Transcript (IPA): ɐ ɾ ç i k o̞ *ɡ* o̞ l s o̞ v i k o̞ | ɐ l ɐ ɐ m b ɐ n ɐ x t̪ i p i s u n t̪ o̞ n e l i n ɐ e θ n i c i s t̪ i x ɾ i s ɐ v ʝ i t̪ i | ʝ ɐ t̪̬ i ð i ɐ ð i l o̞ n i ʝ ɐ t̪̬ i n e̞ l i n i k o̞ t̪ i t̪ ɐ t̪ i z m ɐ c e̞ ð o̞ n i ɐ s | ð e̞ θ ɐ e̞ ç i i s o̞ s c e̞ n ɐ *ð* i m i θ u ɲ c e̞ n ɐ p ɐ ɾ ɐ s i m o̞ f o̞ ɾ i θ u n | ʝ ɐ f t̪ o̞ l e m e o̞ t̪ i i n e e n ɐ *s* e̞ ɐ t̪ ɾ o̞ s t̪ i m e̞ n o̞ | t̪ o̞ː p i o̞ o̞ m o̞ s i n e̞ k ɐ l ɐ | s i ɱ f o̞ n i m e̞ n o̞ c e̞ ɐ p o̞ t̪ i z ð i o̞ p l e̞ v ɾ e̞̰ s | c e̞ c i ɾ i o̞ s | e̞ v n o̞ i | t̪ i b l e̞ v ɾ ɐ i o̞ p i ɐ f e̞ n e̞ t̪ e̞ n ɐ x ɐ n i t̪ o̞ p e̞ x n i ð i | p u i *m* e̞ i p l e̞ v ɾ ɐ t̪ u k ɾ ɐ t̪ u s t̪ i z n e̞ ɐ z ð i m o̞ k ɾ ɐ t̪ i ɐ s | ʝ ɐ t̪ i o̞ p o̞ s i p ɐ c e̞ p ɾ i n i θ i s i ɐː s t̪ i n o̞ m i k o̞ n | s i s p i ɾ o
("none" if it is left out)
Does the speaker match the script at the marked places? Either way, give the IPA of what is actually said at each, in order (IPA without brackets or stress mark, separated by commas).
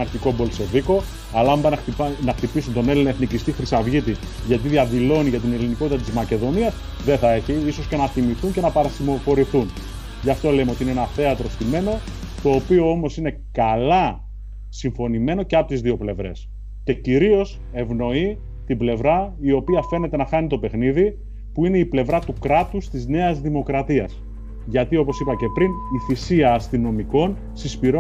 b, θ, θ, n